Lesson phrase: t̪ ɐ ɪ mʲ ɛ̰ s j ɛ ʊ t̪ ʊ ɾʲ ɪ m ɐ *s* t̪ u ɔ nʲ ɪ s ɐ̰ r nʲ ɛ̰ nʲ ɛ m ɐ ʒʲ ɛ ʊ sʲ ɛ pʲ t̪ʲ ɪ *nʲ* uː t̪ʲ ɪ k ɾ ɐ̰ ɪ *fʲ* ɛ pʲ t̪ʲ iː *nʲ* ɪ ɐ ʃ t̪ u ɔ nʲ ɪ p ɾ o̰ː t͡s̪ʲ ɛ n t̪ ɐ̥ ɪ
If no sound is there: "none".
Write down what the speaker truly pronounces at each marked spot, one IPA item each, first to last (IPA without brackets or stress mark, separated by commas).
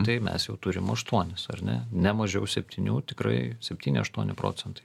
ʃ, nʲ, sʲ, nʲ